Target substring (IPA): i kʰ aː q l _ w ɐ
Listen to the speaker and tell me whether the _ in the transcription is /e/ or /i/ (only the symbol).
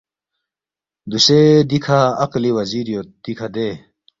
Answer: i